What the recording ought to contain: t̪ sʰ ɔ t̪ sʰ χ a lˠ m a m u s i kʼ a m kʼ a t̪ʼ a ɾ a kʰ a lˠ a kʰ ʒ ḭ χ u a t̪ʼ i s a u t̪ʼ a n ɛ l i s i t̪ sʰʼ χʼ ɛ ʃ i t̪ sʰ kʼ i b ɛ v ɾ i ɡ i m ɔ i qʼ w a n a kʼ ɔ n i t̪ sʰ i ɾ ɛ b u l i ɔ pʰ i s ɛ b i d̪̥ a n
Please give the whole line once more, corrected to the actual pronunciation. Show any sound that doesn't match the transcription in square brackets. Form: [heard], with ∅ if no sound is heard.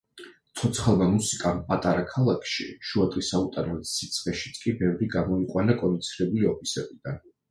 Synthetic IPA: t̪ sʰ ɔ t̪ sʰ χ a lˠ m a m u s i kʼ a m [pʼ] a t̪ʼ a ɾ a kʰ a lˠ a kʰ [ʃ] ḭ [ʃ] u a t̪ʼ i s a u t̪ʼ a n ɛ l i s i t̪ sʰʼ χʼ ɛ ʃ i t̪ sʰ kʼ i b ɛ v ɾ i ɡ [a] m ɔ i qʼ w a n a kʼ ɔ n i t̪ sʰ i ɾ ɛ b u l i ɔ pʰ i s ɛ b i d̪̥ a n